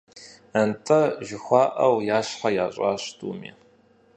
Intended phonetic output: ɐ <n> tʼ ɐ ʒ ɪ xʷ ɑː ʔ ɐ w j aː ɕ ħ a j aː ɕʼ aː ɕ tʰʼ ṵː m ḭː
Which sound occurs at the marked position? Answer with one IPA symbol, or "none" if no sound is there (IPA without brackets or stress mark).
n